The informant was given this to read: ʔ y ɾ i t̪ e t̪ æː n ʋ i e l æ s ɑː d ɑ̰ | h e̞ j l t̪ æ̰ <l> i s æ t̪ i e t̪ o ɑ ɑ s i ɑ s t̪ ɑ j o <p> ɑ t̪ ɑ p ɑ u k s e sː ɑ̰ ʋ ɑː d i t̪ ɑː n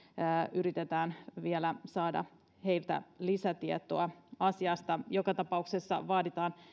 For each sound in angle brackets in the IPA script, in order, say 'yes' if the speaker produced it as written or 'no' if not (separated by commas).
yes, no